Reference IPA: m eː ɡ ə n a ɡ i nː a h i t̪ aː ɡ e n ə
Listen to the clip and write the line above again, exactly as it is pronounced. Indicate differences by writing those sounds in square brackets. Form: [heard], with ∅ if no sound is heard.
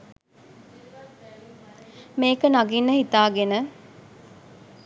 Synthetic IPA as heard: m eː [k] ə n a ɡ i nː [ə] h i t̪ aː ɡ e n ə